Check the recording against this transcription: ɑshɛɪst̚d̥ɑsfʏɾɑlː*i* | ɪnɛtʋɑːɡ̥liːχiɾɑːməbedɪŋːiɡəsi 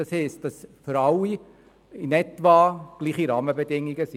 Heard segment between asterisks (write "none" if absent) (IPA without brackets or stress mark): i